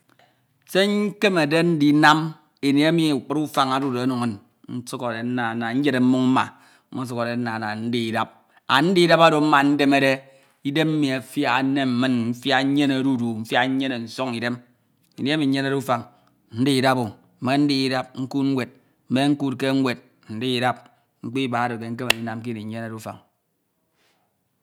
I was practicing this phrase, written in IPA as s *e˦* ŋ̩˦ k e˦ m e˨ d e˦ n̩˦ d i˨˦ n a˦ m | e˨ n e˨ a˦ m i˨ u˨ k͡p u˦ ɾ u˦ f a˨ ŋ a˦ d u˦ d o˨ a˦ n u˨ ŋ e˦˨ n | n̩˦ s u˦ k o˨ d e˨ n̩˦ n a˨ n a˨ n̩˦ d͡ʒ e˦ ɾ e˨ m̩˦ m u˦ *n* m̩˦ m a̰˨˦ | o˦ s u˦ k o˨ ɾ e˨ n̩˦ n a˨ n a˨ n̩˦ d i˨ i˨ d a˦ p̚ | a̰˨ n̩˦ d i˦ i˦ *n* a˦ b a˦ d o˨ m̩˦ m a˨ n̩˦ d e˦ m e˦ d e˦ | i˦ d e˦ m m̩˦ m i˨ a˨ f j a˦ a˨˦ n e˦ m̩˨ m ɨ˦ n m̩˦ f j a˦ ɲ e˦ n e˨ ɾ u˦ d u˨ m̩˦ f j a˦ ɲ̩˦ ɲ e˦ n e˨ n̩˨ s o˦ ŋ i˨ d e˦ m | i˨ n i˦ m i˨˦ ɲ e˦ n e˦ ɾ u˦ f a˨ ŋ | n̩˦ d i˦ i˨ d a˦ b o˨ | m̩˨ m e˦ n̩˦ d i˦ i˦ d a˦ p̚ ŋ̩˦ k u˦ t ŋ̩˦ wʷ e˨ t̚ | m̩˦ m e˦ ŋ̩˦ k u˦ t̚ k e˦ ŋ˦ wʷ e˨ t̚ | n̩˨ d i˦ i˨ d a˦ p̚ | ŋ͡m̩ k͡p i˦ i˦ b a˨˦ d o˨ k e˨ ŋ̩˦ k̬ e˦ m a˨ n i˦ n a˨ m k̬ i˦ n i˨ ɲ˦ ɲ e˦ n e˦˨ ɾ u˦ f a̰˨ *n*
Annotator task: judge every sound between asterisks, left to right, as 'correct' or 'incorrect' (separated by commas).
correct, incorrect, incorrect, incorrect